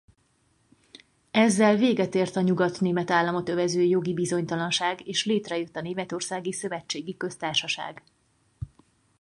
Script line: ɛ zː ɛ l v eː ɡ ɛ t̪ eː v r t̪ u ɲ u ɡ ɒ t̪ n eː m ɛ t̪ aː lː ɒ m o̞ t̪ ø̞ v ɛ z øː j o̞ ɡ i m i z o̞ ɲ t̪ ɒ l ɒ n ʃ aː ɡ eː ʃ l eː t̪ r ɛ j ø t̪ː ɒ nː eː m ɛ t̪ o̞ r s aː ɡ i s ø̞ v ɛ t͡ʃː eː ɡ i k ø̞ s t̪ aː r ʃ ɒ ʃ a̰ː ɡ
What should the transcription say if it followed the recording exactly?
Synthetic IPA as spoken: ɛ zː ɛ l v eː ɡ ɛ t̪ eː r t̪ ɒ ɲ u ɡ ɒ t̪ n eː m ɛ t̪ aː lː ɒ m o̞ t̪ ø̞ v ɛ z øː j o̞ ɡ i b i z o̞ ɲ t̪ ɒ l ɒ n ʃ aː ɡ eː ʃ l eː t̪ r ɛ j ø t̪ː ɒ n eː m ɛ t̪ o̞ r s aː ɡ i s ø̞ v ɛ t͡ʃː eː ɡ i k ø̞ s t̪ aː r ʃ ɒ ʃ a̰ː ɡ